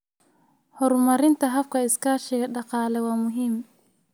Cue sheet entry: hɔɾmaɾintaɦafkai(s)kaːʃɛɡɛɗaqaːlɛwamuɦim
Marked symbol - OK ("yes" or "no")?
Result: yes